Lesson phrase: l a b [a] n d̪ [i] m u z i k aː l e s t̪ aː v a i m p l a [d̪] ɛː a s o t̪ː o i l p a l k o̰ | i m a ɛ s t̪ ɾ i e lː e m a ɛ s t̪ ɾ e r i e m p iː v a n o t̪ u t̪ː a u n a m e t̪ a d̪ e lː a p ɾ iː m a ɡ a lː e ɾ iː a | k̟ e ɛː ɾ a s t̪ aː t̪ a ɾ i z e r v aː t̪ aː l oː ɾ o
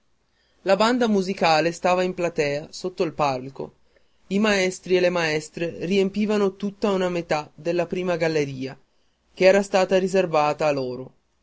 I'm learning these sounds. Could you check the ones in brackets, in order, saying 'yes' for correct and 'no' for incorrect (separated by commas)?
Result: yes, no, no